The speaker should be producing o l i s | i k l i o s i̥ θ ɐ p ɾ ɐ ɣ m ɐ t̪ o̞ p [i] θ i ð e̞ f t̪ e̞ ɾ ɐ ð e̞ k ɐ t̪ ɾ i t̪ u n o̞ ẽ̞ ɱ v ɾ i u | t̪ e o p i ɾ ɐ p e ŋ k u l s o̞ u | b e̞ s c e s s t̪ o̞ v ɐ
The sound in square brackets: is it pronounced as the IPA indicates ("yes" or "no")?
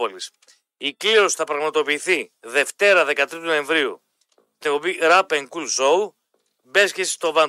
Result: no